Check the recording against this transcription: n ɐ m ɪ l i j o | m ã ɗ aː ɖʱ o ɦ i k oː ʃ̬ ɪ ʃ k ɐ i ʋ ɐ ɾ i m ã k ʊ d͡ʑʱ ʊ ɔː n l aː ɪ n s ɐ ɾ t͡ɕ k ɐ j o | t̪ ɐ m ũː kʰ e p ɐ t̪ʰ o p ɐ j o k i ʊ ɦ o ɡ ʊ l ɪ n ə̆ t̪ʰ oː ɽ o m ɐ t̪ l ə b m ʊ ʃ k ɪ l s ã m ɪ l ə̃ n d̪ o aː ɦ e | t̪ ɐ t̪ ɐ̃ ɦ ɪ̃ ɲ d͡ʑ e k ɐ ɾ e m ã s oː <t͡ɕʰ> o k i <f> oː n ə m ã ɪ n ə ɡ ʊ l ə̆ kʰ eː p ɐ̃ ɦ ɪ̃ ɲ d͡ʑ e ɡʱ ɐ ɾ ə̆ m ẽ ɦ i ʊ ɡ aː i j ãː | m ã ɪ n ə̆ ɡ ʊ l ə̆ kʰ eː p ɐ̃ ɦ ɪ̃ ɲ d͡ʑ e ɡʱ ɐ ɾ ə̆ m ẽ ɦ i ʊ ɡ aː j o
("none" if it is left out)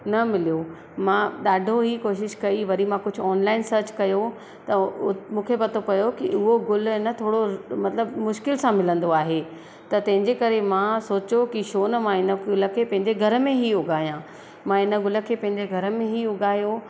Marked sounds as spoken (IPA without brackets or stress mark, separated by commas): t͡ɕ, ʃ